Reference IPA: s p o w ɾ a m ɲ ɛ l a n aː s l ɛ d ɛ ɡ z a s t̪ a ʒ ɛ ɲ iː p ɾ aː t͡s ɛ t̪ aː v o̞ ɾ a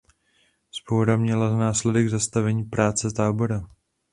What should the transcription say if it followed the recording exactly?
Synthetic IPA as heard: s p o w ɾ a m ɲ ɛ l a n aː s l ɛ d ɛ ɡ z a s t̪ a v ɛ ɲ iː p ɾ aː t͡s ɛ t̪ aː b o̞ ɾ a